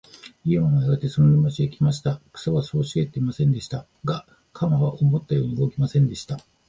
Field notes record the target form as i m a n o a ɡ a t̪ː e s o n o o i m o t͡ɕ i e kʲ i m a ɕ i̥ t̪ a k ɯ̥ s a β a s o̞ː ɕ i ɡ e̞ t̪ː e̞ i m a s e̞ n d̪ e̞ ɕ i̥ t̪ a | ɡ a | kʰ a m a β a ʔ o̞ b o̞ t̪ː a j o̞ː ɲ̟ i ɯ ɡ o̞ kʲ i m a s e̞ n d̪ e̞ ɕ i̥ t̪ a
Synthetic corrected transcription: i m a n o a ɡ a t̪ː e s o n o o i m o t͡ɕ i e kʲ i m a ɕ i̥ t̪ a k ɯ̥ s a β a s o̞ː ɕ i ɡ e̞ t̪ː e̞ i m a s ẽ̞ n d̪ e̞ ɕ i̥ t̪ a | ɡ a | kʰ a m a β a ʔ o̞ m o̞ t̪ː a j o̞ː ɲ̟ i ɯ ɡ o̞ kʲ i m a s ẽ̞ n d̪ e̞ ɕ i̥ t̪ a